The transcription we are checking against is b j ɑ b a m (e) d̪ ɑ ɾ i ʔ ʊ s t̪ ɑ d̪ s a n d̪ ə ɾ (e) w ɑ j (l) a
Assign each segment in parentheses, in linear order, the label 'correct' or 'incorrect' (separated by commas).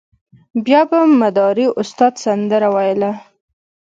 incorrect, incorrect, correct